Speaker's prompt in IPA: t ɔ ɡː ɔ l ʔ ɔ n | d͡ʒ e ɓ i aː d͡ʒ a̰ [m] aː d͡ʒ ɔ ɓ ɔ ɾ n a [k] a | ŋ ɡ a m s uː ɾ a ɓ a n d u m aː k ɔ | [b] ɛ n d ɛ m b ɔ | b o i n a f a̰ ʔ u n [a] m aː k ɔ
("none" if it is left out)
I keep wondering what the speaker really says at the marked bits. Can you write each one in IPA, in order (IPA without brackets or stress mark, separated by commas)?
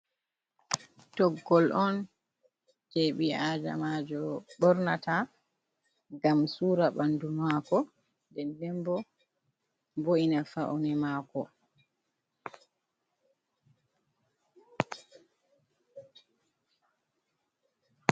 m, t, d, ɛ